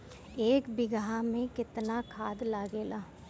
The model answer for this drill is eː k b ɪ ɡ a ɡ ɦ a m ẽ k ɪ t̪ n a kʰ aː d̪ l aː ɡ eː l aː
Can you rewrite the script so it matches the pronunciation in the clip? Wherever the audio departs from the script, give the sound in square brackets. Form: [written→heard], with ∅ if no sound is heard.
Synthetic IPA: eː k b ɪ ɡ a [ɡ→∅] ɦ a m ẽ k ɪ t̪ n a kʰ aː d̪ l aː ɡ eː l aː